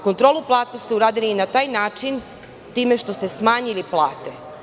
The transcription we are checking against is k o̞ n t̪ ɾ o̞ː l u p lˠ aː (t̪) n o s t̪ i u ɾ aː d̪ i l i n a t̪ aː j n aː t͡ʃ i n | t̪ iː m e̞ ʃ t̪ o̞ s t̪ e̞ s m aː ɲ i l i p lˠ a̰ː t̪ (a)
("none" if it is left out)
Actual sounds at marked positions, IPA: t̪, e

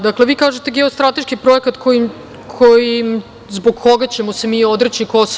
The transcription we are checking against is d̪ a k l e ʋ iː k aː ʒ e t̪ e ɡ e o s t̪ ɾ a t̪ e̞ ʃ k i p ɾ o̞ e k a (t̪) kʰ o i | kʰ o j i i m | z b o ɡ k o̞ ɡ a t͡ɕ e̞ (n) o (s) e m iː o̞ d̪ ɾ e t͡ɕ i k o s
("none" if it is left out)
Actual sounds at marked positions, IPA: t̪, m, s

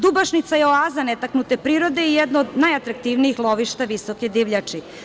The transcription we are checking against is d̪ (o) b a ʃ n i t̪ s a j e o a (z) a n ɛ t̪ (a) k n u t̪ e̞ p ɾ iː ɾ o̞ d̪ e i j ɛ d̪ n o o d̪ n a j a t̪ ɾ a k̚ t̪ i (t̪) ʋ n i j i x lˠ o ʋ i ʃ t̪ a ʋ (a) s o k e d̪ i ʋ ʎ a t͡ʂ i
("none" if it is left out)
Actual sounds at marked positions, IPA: u, z, a, none, i

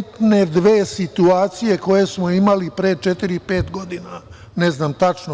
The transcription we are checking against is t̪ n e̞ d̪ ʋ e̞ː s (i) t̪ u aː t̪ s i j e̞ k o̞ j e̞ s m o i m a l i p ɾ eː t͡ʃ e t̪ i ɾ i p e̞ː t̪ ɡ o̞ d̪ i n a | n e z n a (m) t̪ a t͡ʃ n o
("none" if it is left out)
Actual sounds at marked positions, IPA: i, m

